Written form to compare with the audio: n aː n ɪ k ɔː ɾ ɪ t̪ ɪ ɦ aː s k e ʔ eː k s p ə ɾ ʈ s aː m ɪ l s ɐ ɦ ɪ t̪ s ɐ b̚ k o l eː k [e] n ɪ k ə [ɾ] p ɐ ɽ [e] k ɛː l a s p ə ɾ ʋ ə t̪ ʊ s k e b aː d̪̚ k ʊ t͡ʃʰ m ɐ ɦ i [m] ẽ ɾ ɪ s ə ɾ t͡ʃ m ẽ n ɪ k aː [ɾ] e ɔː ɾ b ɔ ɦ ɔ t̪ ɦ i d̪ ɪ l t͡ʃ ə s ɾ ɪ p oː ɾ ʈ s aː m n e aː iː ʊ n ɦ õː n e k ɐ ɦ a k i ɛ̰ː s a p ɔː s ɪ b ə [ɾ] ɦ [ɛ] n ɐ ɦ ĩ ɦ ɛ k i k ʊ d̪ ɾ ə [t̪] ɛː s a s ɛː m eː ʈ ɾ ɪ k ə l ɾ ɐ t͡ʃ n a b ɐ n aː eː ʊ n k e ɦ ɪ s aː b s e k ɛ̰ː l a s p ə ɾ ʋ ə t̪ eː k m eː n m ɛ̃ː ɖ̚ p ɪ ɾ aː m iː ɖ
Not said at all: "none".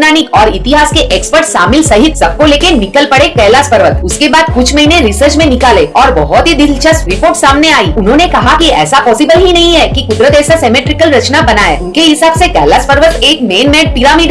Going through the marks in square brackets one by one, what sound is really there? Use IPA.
e, l, e, n, l, l, i, t̪

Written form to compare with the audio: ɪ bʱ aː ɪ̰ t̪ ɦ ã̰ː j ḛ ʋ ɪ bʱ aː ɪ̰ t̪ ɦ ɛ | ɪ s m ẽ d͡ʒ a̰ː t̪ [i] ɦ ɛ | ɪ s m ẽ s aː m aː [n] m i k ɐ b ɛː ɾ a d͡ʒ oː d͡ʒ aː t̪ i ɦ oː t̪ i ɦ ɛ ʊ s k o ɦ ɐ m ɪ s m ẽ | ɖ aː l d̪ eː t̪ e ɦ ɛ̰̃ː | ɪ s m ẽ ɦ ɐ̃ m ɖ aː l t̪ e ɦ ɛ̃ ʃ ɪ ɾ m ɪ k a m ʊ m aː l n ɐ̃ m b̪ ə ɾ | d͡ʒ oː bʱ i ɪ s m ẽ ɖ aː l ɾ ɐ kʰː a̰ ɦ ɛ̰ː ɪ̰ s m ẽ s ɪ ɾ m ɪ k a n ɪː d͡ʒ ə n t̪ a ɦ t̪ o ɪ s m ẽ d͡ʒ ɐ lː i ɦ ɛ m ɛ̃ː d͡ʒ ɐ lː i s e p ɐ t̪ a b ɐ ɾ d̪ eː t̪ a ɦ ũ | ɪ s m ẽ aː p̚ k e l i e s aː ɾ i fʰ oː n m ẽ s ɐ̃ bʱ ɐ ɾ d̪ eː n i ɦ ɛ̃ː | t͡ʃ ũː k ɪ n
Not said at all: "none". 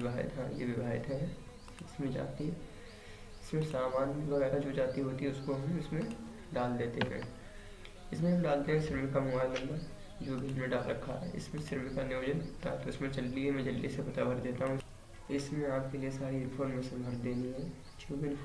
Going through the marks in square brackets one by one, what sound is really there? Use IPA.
i, n

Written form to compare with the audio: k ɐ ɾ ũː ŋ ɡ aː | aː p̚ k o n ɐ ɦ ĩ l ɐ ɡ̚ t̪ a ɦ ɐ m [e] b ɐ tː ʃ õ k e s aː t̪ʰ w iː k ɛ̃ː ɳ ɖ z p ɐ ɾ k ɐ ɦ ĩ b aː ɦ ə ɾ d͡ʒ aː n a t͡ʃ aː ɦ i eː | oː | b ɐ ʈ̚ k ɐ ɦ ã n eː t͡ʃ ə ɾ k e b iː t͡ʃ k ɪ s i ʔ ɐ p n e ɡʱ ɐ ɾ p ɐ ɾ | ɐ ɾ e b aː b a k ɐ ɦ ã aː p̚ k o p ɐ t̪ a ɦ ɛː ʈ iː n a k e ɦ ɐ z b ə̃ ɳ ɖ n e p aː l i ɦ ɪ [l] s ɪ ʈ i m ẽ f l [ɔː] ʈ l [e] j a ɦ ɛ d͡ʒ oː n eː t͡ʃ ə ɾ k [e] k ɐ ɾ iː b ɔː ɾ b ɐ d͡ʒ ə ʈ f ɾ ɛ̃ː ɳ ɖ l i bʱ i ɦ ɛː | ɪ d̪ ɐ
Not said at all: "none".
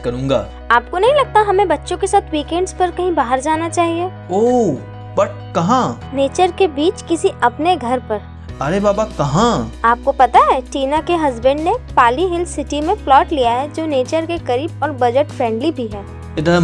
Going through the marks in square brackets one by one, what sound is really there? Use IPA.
ẽ, l, ɔː, i, e

